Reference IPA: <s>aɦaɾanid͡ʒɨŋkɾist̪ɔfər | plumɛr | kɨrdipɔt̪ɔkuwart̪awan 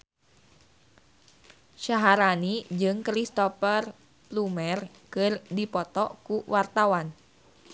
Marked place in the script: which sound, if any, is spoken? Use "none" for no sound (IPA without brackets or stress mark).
ʃ